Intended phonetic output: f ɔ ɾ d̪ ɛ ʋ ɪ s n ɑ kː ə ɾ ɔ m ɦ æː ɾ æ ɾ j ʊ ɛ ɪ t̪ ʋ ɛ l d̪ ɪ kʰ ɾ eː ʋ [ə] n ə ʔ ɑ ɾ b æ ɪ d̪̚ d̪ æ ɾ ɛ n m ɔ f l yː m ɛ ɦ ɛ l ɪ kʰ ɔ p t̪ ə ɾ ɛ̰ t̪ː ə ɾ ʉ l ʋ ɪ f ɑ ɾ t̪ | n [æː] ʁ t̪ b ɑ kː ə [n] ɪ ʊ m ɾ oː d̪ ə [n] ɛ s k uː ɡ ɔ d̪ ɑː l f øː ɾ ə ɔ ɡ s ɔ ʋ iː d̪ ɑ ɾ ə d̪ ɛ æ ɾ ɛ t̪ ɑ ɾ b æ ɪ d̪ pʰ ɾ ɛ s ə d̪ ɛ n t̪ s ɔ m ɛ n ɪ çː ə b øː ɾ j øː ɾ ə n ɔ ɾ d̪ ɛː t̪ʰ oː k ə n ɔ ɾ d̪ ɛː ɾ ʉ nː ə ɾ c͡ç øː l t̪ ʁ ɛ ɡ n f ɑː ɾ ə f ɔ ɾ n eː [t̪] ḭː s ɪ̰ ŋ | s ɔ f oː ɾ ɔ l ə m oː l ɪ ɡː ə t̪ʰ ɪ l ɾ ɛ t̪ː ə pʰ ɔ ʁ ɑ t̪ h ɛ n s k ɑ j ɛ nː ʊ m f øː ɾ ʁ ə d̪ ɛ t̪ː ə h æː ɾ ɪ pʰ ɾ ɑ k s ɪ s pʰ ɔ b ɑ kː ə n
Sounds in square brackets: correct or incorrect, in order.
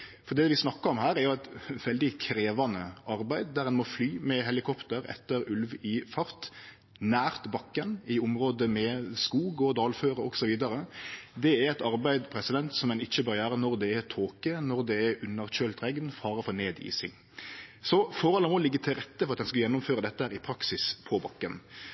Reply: incorrect: ɑ, correct, correct, incorrect: m, incorrect: d̪

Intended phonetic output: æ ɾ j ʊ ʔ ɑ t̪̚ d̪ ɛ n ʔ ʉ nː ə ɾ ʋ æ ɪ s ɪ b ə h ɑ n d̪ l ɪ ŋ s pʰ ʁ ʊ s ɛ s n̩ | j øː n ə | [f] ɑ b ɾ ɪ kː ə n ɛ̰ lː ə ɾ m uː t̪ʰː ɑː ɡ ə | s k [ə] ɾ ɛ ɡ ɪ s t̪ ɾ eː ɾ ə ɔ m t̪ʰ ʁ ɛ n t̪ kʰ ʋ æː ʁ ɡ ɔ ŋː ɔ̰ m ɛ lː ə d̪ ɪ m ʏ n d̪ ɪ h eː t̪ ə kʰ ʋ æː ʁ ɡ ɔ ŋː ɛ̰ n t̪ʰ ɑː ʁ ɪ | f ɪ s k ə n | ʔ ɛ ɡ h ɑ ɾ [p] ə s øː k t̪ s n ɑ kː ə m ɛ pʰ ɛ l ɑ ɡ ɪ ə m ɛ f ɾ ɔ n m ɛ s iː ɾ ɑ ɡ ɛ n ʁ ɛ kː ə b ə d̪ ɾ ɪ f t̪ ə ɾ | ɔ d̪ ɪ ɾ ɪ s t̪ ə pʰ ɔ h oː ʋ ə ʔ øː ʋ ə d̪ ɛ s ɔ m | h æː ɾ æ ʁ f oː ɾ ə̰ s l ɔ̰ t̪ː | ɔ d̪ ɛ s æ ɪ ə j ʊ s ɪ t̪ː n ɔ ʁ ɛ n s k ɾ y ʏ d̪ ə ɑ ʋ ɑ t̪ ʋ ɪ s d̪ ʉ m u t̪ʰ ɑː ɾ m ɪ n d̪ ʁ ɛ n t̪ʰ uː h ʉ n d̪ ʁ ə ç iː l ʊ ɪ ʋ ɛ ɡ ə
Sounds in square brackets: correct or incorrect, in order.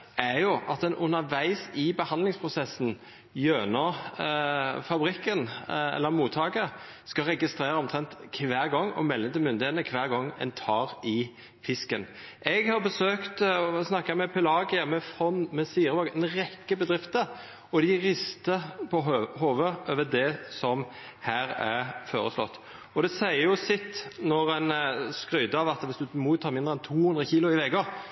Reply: correct, incorrect: ɑ, incorrect: b

